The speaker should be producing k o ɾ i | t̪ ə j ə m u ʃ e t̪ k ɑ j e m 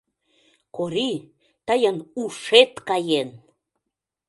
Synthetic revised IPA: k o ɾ i | t̪ ə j ə n u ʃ e t̪ k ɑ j e n